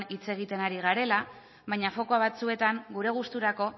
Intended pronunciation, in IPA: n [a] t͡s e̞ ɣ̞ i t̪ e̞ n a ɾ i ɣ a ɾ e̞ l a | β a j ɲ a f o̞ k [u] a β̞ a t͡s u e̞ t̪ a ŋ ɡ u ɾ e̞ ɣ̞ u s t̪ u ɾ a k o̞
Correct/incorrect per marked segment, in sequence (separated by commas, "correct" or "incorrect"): incorrect, incorrect